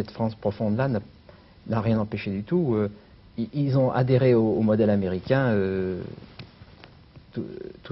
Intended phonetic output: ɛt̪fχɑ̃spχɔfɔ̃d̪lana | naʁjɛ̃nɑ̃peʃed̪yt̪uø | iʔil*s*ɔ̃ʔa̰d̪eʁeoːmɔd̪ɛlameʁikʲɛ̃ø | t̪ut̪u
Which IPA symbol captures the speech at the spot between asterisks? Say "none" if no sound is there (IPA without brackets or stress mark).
z